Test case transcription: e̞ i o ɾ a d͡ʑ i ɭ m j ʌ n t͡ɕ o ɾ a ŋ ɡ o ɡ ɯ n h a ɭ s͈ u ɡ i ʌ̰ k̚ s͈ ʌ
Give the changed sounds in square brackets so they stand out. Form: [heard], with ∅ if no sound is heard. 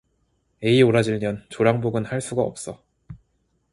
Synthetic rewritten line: e̞ i o ɾ a d͡ʑ i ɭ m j ʌ n t͡ɕ o ɾ a ŋ [b] o ɡ ɯ n h a ɭ s͈ u ɡ [a] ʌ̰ [p̚] s͈ ʌ